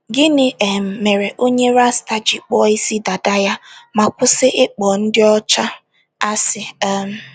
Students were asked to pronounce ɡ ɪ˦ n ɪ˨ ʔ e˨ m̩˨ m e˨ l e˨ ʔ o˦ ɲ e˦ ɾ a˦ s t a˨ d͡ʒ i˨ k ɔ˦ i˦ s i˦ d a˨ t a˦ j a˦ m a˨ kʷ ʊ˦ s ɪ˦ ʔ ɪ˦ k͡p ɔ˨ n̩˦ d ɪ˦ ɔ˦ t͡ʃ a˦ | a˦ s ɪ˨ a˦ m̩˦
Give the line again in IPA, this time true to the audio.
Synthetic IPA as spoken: ɡ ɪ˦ n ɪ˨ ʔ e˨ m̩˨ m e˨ ɾ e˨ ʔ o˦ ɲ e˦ ɾ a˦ s t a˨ d͡ʒ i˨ k͡p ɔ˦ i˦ s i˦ d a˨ d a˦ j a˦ m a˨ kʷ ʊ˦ s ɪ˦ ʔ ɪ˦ k͡p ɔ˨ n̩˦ d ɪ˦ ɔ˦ t͡ʃ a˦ | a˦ s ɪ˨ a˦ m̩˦